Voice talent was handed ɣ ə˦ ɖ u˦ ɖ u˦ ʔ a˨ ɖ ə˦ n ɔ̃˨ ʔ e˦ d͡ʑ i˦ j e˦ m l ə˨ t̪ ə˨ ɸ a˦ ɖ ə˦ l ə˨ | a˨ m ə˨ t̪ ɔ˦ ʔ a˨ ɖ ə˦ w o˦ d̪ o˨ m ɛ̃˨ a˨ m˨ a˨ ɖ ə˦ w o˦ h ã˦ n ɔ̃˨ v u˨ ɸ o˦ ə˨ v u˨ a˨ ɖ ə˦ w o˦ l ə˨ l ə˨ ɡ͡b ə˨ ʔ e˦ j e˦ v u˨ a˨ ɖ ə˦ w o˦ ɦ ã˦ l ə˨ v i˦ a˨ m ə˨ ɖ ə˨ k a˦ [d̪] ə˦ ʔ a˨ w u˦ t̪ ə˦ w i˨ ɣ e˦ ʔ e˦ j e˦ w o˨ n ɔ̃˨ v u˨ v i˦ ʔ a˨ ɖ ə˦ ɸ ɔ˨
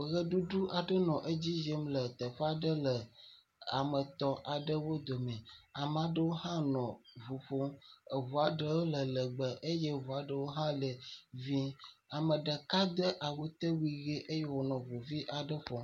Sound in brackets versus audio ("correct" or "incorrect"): correct